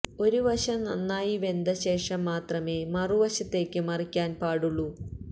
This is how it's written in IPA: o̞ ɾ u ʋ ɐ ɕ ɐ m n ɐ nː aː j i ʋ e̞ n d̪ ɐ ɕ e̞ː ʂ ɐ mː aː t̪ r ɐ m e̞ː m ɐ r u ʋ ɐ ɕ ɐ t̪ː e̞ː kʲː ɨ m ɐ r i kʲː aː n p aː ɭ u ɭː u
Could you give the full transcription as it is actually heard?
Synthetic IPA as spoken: o̞ ɾ u ʋ ɐ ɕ ɐ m n ɐ nː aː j i ʋ e̞ n d̪ ɐ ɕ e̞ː ʂ ɐ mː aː t̪ r ɐ m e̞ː m ɐ r u ʋ ɐ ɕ ɐ t̪ː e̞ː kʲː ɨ m ɐ r i kʲː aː n p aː ɽ u ɭː u